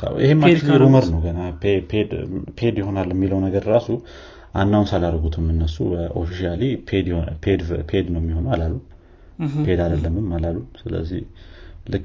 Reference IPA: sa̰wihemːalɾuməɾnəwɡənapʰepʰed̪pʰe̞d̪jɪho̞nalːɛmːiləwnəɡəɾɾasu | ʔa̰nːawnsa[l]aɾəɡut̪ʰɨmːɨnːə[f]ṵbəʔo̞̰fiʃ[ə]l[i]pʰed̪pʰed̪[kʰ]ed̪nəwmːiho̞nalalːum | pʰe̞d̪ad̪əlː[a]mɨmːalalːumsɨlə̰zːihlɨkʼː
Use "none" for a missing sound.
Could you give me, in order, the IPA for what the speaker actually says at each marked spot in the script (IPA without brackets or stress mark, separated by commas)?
l, s, a, i, pʰ, ə